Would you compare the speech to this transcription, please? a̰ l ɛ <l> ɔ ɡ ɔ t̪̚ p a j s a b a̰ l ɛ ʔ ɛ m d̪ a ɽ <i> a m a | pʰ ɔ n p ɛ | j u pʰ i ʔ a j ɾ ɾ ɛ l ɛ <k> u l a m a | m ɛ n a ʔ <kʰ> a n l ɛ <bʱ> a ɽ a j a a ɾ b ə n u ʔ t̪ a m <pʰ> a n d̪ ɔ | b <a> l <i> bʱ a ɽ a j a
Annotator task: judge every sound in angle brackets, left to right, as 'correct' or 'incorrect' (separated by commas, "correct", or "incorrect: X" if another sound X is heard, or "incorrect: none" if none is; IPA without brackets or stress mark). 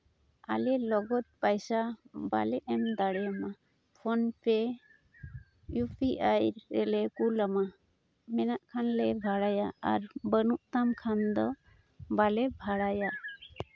correct, incorrect: ɛ, correct, correct, correct, incorrect: kʰ, correct, incorrect: ɛ